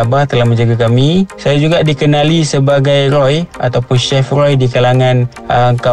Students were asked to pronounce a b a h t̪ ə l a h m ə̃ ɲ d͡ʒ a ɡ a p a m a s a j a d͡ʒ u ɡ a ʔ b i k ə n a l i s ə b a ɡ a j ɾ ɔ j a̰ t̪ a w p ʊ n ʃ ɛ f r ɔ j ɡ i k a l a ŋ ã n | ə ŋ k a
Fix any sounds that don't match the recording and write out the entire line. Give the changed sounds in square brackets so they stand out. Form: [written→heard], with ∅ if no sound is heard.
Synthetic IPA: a b a h t̪ ə l a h m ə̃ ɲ d͡ʒ a ɡ a [p→k] a m [a→i] s a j a d͡ʒ u ɡ a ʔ [b→d] i k ə n a l i s ə b a ɡ a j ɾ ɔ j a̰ t̪ a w p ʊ n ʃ ɛ f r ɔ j [ɡ→d] i k a l a ŋ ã n | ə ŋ k a